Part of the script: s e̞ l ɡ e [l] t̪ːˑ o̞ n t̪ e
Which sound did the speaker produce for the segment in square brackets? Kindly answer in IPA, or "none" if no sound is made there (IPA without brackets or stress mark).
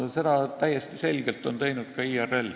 l